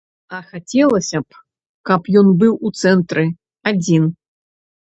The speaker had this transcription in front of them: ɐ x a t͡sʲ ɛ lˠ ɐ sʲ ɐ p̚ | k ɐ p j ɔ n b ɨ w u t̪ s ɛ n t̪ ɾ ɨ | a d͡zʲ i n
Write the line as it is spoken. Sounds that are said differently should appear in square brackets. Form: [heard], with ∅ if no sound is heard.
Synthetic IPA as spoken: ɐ x a t͡sʲ ɛ lˠ ɐ sʲ ɐ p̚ | k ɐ p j ɔ n b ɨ w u t̪ s ɛ n t̪ ɾ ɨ | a d͡zʲ i n

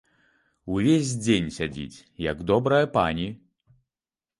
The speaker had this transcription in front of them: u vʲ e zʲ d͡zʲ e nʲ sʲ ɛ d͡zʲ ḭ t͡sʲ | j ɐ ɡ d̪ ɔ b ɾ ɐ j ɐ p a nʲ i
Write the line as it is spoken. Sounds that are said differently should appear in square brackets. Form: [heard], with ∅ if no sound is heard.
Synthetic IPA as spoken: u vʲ e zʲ d͡zʲ e nʲ sʲ [a] d͡zʲ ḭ t͡sʲ | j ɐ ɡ d̪ ɔ b ɾ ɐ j ɐ p a nʲ i

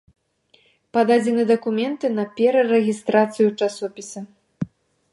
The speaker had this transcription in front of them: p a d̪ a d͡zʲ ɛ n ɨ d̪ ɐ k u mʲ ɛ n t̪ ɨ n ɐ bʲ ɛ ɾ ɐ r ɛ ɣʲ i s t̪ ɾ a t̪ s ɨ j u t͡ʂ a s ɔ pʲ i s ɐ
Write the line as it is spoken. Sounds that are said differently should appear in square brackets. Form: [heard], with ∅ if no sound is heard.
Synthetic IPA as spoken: p a d̪ a d͡zʲ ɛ n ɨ d̪ ɐ k u mʲ ɛ n t̪ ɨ n ɐ [pʲ] ɛ ɾ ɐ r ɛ ɣʲ i s t̪ ɾ a t̪ s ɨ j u t͡ʂ a s ɔ pʲ i s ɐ

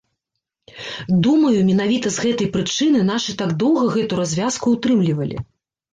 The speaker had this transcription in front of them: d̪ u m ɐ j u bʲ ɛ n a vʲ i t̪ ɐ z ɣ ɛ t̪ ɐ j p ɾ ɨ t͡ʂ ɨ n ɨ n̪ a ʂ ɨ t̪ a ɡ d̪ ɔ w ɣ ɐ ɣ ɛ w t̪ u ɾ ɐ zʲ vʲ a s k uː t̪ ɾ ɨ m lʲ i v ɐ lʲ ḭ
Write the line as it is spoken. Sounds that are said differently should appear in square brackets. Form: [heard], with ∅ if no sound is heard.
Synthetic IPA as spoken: d̪ u m ɐ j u [mʲ] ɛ n a vʲ i t̪ ɐ z ɣ ɛ t̪ ɐ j p ɾ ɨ t͡ʂ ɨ n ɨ n̪ a ʂ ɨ t̪ a ɡ d̪ ɔ w ɣ ɐ ɣ ɛ [∅] t̪ u ɾ [a] zʲ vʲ a s k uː t̪ ɾ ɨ m lʲ i v ɐ lʲ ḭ

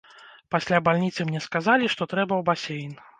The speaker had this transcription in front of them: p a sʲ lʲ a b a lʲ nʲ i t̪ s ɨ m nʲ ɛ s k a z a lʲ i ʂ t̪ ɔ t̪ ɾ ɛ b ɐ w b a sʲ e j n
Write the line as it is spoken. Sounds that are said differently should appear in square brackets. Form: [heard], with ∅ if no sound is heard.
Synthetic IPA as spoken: p a sʲ lʲ a b a lʲ nʲ i t̪ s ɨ m nʲ ɛ s k a z a lʲ i ʂ t̪ ɔ t̪ ɾ ɛ b ɐ w b a sʲ e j n

